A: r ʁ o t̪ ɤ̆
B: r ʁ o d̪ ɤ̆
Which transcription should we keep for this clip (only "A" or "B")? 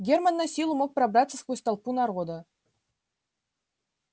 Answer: B